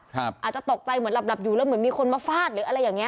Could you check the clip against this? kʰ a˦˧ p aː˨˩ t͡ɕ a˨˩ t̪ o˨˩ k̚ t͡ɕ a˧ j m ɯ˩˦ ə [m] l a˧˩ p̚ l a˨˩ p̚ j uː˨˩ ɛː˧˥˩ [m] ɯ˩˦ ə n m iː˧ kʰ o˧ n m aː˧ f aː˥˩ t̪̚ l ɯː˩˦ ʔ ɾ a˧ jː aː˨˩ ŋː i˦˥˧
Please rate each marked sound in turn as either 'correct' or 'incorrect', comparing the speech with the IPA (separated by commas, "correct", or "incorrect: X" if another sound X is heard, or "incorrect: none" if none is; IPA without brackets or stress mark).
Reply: incorrect: n, correct